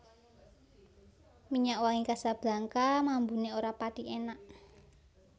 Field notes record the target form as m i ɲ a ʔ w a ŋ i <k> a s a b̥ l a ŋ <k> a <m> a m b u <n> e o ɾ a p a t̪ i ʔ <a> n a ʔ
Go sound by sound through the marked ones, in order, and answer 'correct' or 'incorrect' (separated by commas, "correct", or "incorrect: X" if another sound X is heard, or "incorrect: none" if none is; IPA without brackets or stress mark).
correct, correct, correct, correct, incorrect: e